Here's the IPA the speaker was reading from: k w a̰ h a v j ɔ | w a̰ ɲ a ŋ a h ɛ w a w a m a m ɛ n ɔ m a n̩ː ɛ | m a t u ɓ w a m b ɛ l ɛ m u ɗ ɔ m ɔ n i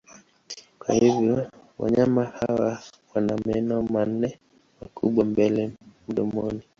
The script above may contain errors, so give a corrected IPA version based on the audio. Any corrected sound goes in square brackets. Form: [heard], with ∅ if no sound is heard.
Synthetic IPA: k w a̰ h [i] v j ɔ | w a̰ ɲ a [m] a h [a] w a w a [n] a m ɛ n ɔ m a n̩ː ɛ | m a [k] u ɓ w a m b ɛ l ɛ m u ɗ ɔ m ɔ n i